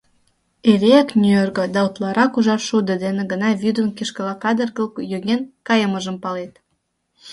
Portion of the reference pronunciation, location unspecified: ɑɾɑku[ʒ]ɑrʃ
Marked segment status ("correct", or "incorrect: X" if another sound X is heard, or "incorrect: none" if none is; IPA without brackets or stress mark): correct